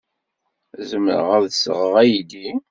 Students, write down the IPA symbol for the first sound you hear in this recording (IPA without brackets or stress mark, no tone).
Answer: z